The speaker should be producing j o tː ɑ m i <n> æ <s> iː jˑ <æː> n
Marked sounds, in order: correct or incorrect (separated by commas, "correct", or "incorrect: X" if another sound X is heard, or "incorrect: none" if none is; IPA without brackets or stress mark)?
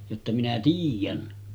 correct, incorrect: t, incorrect: æ